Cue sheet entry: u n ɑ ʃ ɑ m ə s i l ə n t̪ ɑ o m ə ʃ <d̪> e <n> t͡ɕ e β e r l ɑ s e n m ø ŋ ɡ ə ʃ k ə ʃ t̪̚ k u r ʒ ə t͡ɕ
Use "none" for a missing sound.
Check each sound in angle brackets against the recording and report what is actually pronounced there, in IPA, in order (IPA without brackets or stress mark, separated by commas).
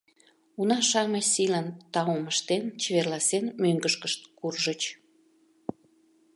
t̪, n